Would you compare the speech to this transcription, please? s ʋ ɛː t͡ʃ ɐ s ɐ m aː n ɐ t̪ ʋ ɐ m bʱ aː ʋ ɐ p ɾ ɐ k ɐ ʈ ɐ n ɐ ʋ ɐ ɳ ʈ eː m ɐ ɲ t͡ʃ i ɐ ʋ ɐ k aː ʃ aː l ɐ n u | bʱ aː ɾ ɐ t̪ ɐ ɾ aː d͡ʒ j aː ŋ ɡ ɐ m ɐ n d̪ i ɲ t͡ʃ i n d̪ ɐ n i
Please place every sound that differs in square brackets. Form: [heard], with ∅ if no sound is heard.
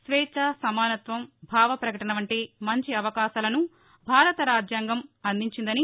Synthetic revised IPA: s ʋ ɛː t͡ʃ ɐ s ɐ m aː n ɐ t̪ ʋ ɐ m bʱ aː ʋ ɐ p ɾ ɐ k ɐ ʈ ɐ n ɐ ʋ ɐ ɳ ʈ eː m ɐ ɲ t͡ʃ i ɐ ʋ ɐ k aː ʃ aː l ɐ n u | bʱ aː ɾ ɐ t̪ ɐ ɾ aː d͡ʒ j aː ŋ ɡ ɐ m ɐ n d̪ i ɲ t͡ʃ i n d̪ ɐ n i